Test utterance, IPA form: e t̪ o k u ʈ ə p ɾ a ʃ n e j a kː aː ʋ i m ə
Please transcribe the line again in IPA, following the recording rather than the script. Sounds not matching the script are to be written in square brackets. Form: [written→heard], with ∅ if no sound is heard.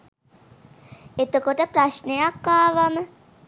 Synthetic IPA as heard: e t̪ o k [u→o] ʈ ə p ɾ a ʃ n e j a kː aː ʋ [i→a] m ə